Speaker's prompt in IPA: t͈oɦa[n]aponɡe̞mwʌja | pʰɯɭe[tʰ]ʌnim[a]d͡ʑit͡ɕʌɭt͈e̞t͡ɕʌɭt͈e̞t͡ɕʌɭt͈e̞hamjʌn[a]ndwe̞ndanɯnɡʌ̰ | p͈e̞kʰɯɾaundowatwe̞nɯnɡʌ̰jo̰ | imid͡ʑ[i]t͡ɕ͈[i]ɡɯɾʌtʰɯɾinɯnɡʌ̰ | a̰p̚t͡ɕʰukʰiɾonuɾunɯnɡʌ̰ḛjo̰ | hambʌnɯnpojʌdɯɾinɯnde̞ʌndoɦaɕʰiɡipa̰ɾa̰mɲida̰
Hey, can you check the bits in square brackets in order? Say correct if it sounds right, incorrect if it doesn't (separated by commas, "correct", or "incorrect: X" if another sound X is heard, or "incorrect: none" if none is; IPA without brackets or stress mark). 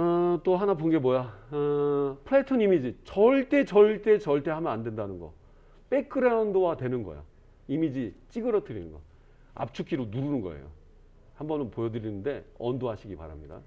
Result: correct, correct, incorrect: i, correct, correct, correct